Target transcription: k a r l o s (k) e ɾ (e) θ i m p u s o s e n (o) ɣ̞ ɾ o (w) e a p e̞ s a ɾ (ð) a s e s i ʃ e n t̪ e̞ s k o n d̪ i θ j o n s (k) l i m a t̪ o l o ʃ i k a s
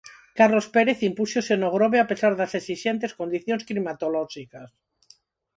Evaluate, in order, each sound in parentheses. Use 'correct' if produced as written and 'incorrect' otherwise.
incorrect: p, correct, correct, incorrect: β, correct, correct

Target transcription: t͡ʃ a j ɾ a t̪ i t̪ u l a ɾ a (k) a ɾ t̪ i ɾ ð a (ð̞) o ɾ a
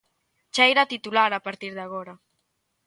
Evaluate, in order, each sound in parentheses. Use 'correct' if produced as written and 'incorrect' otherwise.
incorrect: p, incorrect: ɣ̞

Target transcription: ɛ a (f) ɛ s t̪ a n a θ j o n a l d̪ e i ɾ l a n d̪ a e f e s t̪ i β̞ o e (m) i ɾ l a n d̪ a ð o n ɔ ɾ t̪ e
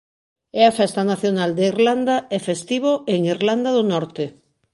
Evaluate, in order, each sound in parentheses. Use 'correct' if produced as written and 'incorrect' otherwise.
correct, incorrect: ŋ

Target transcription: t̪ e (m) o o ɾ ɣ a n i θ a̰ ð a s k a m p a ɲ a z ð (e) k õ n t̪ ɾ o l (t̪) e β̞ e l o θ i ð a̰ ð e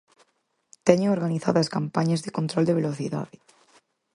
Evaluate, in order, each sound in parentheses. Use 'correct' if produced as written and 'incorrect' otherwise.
incorrect: ɲ, correct, incorrect: d̪

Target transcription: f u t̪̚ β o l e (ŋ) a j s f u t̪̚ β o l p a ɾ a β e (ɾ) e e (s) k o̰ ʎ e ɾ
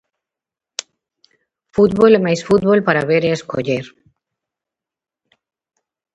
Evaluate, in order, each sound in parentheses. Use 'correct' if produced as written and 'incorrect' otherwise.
incorrect: m, correct, correct

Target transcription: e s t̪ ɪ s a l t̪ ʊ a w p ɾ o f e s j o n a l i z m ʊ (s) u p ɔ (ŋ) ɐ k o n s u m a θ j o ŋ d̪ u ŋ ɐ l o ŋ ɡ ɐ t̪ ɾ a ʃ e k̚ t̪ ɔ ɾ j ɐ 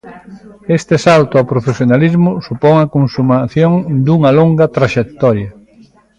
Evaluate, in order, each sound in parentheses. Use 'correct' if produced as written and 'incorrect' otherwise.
correct, correct

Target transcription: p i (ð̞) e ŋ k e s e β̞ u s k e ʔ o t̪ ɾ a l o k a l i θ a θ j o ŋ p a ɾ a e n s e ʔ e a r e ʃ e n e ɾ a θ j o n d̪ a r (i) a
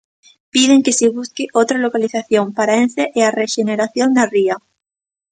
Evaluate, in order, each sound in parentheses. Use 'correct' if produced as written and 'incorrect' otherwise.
correct, correct

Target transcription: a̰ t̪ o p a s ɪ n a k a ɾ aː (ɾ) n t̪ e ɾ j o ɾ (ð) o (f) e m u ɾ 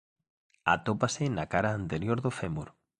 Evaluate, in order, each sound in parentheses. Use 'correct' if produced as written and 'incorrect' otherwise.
incorrect: none, correct, correct

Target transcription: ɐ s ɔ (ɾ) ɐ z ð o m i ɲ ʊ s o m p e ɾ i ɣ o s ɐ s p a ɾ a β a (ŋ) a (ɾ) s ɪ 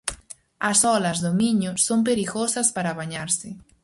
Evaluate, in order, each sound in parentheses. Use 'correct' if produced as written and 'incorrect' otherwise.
incorrect: l, incorrect: ɲ, correct

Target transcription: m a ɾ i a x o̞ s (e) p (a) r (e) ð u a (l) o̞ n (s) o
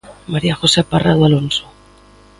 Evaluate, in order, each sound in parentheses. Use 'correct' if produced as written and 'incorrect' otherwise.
correct, correct, incorrect: a, correct, correct

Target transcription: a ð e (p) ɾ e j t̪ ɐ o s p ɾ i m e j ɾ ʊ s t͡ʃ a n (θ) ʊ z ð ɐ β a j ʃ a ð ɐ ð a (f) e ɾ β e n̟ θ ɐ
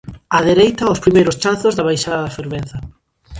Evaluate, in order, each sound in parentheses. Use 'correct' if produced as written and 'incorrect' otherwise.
incorrect: none, correct, correct

